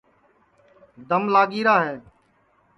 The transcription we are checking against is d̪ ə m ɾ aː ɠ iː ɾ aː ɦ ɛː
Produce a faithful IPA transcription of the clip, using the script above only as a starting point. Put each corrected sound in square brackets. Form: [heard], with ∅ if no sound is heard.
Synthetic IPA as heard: d̪ ə m [l] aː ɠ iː ɾ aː ɦ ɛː